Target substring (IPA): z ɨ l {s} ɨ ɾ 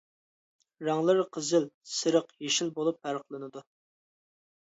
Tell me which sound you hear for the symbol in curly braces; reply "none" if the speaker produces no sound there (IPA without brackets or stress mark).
s